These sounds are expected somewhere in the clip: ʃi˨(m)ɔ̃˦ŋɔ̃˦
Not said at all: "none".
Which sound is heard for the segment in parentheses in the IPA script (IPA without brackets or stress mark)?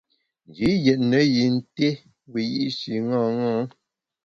ŋ